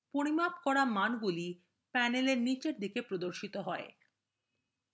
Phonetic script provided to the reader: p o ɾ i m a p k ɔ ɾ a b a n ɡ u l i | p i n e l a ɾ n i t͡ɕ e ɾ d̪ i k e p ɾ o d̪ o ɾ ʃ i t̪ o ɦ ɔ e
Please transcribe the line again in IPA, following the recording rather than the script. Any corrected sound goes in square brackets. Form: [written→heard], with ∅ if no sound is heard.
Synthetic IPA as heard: p o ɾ i m a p k ɔ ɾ a [b→m] a n ɡ u l i | p [i→ɛ] n e l [a→e] ɾ n i t͡ɕ e ɾ d̪ i k e p ɾ o d̪ o ɾ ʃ i t̪ o ɦ ɔ e